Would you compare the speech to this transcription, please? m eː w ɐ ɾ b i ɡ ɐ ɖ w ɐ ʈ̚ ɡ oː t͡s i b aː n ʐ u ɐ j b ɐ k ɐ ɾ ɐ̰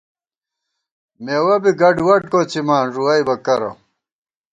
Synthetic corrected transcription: m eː w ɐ b i ɡ ɐ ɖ w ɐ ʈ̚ k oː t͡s i m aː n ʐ u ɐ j b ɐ k ɐ ɾ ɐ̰